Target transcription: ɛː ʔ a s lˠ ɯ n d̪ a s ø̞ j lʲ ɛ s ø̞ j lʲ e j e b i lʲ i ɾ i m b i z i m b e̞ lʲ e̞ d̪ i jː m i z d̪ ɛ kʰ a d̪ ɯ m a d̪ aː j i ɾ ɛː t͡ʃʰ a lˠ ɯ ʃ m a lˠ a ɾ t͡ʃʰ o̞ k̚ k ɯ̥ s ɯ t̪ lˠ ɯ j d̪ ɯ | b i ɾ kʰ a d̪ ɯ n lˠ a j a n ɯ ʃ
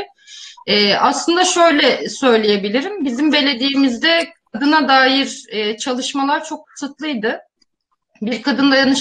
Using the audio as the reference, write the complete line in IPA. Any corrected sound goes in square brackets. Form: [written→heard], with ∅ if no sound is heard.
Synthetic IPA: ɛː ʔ a s lˠ ɯ n d̪ a [s→ʃ] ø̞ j lʲ ɛ s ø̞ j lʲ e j e b i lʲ i ɾ i m b i z i m b e̞ lʲ e̞ d̪ i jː m i z d̪ ɛ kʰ a d̪ ɯ [m→n] a d̪ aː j i ɾ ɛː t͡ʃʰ a lˠ ɯ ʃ m a lˠ a ɾ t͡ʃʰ o̞ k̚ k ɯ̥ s ɯ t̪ lˠ ɯ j d̪ ɯ | b i ɾ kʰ a d̪ ɯ n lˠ a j a n ɯ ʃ